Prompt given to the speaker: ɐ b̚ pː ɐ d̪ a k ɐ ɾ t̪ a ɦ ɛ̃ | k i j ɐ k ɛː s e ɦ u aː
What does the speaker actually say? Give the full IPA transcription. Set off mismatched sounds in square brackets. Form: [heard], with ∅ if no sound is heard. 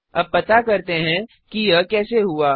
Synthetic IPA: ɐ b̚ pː ɐ [t̪] a k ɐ ɾ t̪ [e] ɦ ɛ̃ | k i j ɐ k ɛː s e ɦ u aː